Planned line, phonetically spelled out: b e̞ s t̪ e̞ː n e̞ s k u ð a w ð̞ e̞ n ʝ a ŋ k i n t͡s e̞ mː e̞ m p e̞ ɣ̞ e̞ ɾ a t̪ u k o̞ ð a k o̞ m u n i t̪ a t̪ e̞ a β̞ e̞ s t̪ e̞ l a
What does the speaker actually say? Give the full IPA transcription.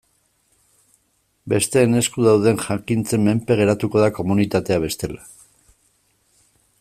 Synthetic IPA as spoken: b e̞ s t̪ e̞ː n e̞ s k u ð a w ð̞ e̞ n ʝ a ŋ k i n t͡s e̞ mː e̞ m p e̞ ɣ̞ e̞ ɾ a t̪ u k o̞ ð a k o̞ m u n i t̪ a t̪ e̞ a β̞ e̞ s t̪ e̞ l a

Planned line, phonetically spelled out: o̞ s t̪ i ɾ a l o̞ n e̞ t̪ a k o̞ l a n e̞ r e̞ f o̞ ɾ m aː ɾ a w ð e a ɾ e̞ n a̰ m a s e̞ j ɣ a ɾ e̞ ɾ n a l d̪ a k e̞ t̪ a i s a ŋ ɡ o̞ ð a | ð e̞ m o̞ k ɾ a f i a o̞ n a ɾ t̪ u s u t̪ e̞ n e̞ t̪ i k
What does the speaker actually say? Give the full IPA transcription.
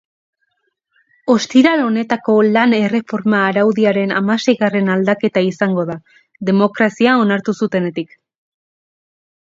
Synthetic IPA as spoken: o̞ s t̪ i ɾ a l o̞ n e̞ t̪ a k o̞ l a n e̞ r e̞ f o̞ ɾ m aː ɾ a w ð i a ɾ e̞ n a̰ m a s e̞ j ɣ a r e̞ n a l d̪ a k e̞ t̪ a i s a ŋ ɡ o̞ ð a | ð e̞ m o̞ k ɾ a s i a o̞ n a ɾ t̪ u s u t̪ e̞ n e̞ t̪ i k

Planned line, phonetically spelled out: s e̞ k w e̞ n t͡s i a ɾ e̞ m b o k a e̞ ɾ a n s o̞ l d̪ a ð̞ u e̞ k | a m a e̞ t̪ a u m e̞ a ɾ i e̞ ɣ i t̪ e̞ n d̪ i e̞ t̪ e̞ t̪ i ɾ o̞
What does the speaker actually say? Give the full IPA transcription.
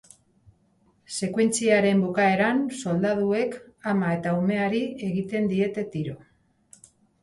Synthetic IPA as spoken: s e̞ k w e̞ n t͡s i a ɾ e̞ m b o k a e̞ ɾ a n s o̞ l d̪ a ð̞ u e̞ k | a m a e̞ t̪ a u m e̞ a ɾ i e̞ ɣ i t̪ e̞ n d̪ i e̞ t̪ e̞ t̪ i ɾ o̞

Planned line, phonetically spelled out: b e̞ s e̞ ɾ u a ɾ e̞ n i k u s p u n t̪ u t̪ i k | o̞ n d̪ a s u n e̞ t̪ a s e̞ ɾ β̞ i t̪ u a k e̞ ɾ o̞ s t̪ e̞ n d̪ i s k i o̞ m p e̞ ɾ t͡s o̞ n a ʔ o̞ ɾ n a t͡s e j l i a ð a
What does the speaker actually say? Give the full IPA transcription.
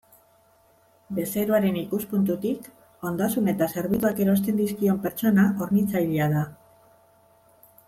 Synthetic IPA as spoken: b e̞ s e̞ ɾ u a ɾ e̞ n i k u s p u n t̪ u t̪ i k | o̞ n d̪ a s u n e̞ t̪ a s e̞ ɾ β̞ i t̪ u a k e̞ ɾ o̞ s t̪ e̞ n d̪ i s k i o̞ m p e̞ ɾ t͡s o̞ n a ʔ o̞ ɾ n i t͡s a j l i a ð a

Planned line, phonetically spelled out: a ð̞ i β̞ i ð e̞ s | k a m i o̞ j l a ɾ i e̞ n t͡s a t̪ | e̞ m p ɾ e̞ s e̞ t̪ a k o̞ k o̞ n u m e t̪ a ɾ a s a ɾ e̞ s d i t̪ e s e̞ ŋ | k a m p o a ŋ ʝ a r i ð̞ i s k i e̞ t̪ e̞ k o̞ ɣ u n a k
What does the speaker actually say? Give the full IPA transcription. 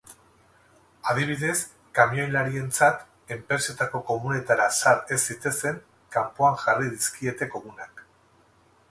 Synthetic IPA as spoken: a ð̞ i β̞ i ð e̞ s | k a m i o̞ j l a ɾ i e̞ n t͡s a t̪ | e̞ m p ɾ e̞ s e̞ t̪ a k o̞ k o̞ m u n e t̪ a ɾ a s a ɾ e̞ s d i t̪ e s e̞ ŋ | k a m p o a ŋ ʝ a r i ð̞ i s k i e̞ t̪ e̞ k o̞ ɣ u n a k

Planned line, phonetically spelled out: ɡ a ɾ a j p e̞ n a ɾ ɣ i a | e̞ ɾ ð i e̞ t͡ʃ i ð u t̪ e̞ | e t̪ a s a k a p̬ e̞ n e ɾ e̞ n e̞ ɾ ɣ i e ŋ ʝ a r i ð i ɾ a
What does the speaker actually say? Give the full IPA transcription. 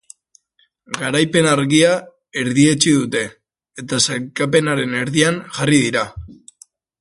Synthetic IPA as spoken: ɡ a ɾ a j p e̞ n a ɾ ɣ i a | e̞ ɾ ð i e̞ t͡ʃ i ð u t̪ e̞ | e t̪ a s a k a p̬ e̞ n a ɾ e̞ n e̞ ɾ ð i a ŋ ʝ a r i ð i ɾ a

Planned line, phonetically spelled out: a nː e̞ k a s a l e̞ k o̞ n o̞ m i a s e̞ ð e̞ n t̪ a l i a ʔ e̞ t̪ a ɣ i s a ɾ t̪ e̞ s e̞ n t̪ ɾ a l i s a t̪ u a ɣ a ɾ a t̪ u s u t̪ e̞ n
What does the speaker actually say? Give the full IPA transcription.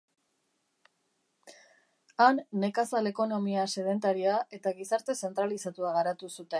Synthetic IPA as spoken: a nː e̞ k a s a l e̞ k o̞ n o̞ m i a s e̞ ð e̞ n t̪ a ɾ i a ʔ e̞ t̪ a ɣ i s a ɾ t̪ e̞ s e̞ n t̪ ɾ a l i s a t̪ u a ɣ a ɾ a t̪ u s u t̪ e̞ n

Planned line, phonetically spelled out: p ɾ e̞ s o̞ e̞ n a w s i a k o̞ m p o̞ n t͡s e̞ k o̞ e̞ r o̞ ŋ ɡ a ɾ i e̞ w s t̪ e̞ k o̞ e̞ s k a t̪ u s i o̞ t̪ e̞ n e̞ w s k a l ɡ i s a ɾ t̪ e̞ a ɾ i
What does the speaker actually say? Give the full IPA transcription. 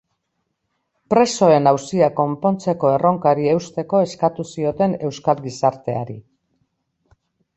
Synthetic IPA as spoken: p ɾ e̞ s o̞ e̞ n a w s i a k o̞ m p o̞ n t͡s e̞ k o̞ e̞ r o̞ ŋ k a ɾ i e̞ w s t̪ e̞ k o̞ e̞ s k a t̪ u s i o̞ t̪ e̞ n e̞ w s k a l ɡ i s a ɾ t̪ e̞ a ɾ i

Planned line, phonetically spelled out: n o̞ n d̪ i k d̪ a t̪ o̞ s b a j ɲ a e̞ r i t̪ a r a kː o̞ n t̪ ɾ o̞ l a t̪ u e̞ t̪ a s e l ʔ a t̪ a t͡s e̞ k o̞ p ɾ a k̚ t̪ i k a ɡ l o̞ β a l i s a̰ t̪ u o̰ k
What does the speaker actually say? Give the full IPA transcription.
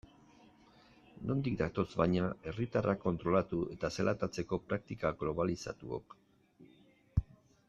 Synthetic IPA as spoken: n o̞ n d̪ i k d̪ a t̪ o̞ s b a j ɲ a e̞ r i t̪ a r a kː o̞ n t̪ ɾ o̞ l a t̪ u e̞ t̪ a s e l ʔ a t̪ a t͡s e̞ k o̞ p ɾ a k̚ t̪ i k a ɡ l o̞ β a l i s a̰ t̪ u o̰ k

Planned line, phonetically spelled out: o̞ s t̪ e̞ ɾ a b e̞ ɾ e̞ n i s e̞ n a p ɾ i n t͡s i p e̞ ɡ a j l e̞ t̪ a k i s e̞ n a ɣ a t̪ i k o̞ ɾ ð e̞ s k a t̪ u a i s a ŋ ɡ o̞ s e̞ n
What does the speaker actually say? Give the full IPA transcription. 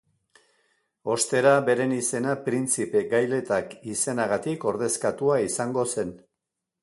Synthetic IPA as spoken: o̞ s t̪ e̞ ɾ a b e̞ ɾ e̞ n i s e̞ n a p ɾ i n t͡s i p e̞ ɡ a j l e̞ t̪ a k i s e̞ n a ɣ a t̪ i k o̞ ɾ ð e̞ s k a t̪ u a i s a ŋ ɡ o̞ s e̞ n

